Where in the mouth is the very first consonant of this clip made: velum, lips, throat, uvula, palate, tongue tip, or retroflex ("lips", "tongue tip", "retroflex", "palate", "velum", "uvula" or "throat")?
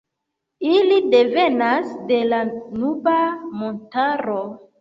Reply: tongue tip